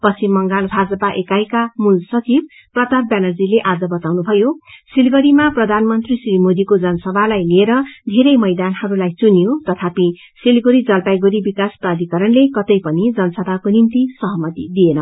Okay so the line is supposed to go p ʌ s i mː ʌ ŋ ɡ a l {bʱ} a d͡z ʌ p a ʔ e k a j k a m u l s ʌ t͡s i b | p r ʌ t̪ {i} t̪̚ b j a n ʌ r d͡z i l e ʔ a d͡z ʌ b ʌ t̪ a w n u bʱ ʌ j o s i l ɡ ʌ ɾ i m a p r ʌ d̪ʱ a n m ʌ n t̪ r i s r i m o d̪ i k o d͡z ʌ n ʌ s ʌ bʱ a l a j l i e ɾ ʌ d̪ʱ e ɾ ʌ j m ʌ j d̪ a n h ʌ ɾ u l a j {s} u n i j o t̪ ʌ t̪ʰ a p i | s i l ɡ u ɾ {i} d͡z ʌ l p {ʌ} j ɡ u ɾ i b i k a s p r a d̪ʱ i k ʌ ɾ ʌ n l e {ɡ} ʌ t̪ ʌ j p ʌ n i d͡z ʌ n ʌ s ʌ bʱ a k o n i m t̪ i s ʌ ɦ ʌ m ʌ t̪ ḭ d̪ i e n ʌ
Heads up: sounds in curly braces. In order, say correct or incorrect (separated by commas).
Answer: correct, incorrect, incorrect, correct, incorrect, incorrect